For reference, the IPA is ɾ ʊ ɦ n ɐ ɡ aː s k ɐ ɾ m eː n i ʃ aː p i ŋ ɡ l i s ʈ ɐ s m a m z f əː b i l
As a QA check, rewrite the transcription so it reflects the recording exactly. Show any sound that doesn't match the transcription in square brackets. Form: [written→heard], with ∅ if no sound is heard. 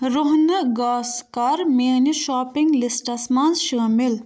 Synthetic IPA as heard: ɾ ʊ ɦ n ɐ ɡ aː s k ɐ ɾ m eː n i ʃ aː p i ŋ ɡ l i s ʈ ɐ s m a [m→n] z [f→ʃ] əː [b→m] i l